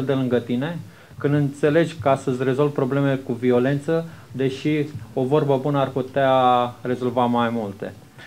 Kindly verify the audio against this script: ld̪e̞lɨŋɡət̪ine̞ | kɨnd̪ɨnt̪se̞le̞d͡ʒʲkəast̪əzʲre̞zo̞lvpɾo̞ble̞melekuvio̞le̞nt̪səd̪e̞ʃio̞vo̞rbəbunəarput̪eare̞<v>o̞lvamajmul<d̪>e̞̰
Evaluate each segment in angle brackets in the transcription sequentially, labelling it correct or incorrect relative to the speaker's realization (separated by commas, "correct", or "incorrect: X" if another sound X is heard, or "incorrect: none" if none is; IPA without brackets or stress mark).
incorrect: z, incorrect: t̪